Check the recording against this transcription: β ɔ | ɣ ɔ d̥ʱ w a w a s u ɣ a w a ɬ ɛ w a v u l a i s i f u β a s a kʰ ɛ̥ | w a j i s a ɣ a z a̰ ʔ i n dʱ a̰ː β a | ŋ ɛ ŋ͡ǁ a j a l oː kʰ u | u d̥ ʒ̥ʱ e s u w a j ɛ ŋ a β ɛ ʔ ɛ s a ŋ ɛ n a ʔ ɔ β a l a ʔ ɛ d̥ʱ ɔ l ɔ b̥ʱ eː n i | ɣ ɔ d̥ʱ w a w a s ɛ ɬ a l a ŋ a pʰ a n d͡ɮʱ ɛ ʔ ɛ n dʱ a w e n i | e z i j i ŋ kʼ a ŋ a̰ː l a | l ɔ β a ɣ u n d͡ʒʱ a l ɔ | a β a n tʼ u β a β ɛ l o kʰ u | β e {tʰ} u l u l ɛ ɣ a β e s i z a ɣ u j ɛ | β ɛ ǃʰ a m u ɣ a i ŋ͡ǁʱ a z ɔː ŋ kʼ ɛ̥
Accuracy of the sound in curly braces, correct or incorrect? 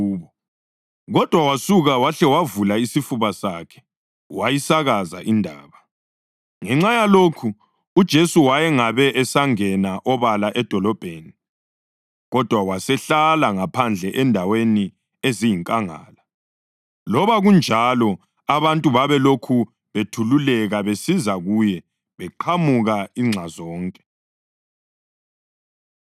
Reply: correct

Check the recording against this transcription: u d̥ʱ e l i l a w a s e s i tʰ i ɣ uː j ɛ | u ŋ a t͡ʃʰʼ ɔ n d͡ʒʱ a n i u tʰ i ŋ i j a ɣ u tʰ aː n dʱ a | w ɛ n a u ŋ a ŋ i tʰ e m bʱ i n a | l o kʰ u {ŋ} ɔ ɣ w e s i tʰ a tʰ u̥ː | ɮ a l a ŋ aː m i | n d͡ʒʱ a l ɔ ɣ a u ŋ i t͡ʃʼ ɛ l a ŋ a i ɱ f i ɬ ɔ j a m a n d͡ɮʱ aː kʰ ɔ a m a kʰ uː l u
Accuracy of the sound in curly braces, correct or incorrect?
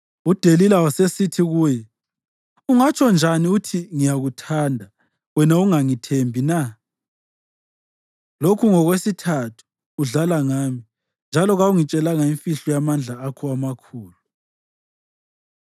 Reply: correct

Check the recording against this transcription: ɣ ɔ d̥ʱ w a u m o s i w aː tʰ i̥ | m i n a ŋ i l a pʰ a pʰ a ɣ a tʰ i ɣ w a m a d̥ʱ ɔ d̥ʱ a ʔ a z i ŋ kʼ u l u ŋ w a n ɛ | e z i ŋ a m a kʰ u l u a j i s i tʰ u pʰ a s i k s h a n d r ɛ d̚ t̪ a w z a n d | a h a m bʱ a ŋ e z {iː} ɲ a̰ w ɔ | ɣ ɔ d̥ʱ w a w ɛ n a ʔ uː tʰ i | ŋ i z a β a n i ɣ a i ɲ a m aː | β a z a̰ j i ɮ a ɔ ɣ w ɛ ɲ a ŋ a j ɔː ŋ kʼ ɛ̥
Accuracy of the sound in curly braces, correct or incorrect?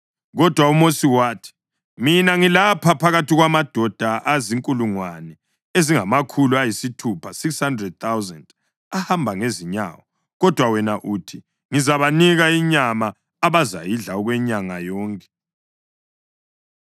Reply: incorrect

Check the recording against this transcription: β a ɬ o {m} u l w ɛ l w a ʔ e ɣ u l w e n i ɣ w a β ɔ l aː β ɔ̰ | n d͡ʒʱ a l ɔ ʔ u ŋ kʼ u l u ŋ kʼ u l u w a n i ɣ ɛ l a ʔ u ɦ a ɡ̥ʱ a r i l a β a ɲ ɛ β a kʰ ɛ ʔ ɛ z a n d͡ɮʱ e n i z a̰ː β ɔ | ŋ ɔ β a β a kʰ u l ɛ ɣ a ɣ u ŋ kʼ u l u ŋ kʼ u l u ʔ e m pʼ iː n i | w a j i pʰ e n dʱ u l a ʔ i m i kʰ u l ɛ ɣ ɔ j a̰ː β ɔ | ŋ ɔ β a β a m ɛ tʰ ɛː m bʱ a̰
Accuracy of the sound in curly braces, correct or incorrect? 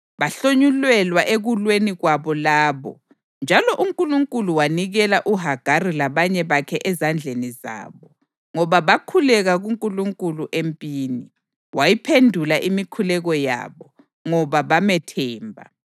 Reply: incorrect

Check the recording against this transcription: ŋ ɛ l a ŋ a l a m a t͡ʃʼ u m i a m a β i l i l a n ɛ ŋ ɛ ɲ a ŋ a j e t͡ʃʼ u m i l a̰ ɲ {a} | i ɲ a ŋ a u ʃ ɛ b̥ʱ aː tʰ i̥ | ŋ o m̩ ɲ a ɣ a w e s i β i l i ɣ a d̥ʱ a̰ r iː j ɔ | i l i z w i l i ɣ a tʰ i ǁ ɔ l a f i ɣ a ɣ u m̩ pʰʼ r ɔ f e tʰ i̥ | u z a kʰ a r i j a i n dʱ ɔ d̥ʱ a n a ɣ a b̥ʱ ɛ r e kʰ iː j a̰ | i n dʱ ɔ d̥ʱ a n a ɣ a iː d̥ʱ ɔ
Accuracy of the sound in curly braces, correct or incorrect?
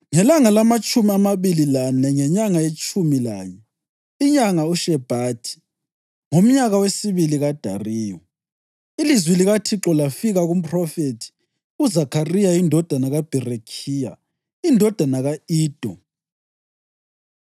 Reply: incorrect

